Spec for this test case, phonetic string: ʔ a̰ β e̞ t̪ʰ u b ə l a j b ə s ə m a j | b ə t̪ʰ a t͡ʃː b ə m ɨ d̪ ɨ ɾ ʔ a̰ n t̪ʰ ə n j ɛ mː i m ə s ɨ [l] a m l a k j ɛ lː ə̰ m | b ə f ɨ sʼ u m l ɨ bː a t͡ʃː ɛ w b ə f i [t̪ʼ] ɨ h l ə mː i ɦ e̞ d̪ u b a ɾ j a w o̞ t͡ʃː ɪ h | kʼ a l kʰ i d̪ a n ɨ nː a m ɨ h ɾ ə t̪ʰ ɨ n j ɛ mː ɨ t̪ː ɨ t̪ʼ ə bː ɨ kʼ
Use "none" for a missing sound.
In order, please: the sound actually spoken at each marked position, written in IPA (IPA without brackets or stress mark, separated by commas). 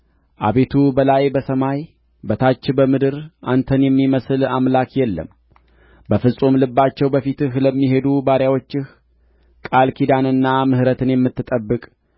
l, t̪